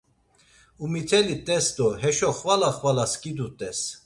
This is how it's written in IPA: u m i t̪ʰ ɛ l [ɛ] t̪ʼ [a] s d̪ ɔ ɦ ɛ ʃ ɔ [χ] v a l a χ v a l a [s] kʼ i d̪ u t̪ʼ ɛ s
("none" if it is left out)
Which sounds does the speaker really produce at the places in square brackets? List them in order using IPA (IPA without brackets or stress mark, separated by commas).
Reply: i, ɛ, χ, s